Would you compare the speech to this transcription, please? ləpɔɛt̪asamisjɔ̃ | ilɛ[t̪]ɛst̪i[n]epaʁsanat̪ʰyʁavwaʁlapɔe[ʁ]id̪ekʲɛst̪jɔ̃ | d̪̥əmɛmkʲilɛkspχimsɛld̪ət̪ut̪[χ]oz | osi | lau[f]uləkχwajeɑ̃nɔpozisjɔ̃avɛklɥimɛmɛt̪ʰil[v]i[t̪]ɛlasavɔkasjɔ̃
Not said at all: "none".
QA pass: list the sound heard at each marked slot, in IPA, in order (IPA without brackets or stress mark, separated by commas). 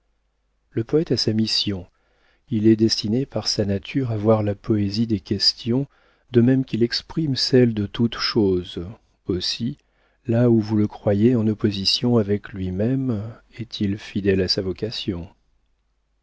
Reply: d̪, n, z, ʃ, v, f, d̪